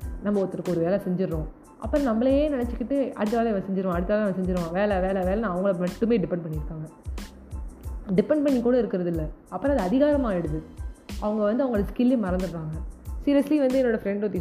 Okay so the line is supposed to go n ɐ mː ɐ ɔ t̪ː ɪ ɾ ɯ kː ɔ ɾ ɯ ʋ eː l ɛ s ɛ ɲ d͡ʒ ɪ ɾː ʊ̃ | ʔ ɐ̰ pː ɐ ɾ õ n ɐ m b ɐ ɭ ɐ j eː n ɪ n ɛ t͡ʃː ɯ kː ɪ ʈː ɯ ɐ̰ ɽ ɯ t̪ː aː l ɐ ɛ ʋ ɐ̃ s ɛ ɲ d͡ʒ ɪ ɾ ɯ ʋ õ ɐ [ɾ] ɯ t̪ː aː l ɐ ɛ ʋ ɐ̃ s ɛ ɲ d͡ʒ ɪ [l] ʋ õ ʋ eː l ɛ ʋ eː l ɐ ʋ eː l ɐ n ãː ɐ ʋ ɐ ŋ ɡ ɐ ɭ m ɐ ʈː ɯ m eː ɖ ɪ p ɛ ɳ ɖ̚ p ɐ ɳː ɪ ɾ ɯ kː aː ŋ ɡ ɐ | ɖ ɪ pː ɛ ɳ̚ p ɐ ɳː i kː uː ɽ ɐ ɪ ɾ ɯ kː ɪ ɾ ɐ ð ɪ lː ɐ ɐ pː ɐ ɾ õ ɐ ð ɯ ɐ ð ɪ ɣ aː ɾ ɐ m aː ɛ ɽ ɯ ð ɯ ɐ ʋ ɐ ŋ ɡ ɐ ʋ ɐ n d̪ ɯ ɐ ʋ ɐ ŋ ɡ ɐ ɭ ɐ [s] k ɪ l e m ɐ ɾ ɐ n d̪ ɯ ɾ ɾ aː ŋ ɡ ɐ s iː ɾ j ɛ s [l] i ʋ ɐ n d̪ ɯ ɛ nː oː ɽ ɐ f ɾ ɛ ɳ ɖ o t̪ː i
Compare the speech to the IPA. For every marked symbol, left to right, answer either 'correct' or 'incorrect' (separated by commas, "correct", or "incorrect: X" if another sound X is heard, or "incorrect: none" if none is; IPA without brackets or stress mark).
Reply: incorrect: ɽ, incorrect: ɾ, correct, correct